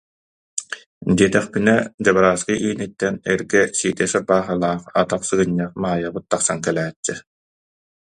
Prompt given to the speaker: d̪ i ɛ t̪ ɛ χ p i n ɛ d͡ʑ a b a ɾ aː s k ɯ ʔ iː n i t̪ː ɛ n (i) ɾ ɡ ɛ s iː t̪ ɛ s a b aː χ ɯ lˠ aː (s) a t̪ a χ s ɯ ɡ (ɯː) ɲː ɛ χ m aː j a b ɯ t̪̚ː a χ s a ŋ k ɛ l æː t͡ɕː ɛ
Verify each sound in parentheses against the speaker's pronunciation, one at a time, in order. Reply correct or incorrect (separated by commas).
incorrect, incorrect, incorrect